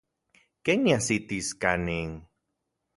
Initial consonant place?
velar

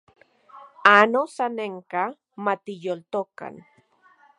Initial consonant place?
alveolar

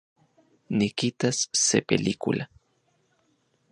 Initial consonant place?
alveolar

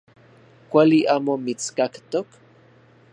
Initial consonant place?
velar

